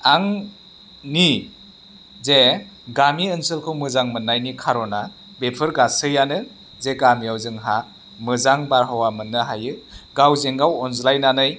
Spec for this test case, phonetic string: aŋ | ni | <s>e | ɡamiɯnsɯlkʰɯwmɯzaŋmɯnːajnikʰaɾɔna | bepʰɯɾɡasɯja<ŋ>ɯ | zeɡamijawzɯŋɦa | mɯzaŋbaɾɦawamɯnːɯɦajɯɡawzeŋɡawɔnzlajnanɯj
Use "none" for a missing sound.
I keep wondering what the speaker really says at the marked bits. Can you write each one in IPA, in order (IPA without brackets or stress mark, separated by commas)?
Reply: z, n